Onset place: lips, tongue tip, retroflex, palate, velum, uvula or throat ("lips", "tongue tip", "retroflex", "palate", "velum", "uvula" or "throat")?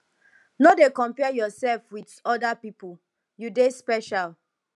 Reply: tongue tip